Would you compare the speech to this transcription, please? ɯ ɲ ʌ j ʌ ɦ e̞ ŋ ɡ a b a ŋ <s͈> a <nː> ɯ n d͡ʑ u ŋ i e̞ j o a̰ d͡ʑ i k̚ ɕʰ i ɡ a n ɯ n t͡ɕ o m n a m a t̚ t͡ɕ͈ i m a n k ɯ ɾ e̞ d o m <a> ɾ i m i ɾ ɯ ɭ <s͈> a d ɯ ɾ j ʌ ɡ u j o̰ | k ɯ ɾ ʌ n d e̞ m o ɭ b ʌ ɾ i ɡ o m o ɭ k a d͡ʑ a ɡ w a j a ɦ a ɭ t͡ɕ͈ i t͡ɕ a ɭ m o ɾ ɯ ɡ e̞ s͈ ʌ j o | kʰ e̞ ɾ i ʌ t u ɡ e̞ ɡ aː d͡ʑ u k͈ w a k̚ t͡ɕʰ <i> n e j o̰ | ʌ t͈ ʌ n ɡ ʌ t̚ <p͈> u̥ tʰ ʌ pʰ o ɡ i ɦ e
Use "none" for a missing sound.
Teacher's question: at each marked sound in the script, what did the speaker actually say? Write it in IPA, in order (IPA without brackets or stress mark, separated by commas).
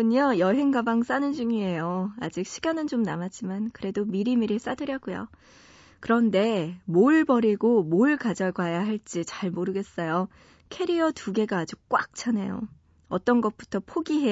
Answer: s͈, n, i, s͈, a, p͈